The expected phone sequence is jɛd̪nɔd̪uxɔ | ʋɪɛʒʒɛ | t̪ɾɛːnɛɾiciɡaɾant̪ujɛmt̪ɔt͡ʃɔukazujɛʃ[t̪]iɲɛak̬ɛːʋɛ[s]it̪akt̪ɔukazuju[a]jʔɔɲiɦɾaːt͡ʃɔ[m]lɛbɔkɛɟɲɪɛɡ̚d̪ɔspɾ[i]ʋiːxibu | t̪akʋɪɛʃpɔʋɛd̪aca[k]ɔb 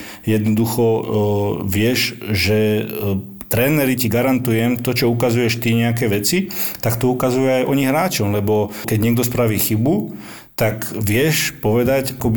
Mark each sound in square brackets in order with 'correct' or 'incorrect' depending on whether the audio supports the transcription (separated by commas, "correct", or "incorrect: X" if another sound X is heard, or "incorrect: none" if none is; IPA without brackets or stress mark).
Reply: correct, incorrect: t͡s, correct, correct, incorrect: a, correct